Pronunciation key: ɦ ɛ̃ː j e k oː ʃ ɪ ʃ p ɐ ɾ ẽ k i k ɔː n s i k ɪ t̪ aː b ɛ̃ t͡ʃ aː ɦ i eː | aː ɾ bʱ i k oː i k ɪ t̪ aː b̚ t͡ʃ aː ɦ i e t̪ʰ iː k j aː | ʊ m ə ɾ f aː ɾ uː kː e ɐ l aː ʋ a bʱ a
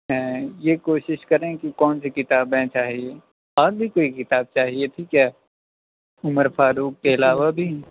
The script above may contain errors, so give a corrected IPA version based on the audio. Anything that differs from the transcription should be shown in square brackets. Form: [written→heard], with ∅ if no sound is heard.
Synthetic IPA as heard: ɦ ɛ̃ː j e k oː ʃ ɪ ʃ [p→k] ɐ ɾ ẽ k i k ɔː n s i k ɪ t̪ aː b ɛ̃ t͡ʃ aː ɦ i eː | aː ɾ bʱ i k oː i k ɪ t̪ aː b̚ t͡ʃ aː ɦ i e t̪ʰ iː k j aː | ʊ m ə ɾ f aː ɾ uː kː e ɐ l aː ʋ a bʱ [a→i]